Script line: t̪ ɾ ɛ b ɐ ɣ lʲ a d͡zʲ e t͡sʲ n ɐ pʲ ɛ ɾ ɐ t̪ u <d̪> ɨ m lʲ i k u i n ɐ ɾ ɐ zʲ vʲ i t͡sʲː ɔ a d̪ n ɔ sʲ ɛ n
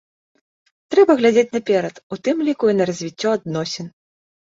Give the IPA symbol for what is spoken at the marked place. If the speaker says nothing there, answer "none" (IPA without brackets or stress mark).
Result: t̪